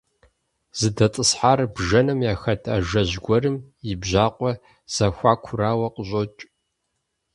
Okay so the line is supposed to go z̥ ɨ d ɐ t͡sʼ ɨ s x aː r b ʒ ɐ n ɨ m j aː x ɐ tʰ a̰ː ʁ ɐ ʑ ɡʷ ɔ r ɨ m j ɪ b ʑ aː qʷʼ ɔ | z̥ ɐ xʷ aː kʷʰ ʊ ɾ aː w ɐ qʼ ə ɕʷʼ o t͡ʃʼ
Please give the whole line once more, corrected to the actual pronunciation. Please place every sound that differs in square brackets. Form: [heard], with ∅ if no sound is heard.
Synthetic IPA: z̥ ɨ d ɐ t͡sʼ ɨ s [ħ] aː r b ʒ ɐ n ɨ m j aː x ɐ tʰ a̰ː [ʒ] ɐ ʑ ɡʷ ɔ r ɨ m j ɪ b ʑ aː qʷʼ ɔ | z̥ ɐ xʷ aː kʷʰ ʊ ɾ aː w ɐ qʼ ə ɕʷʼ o t͡ʃʼ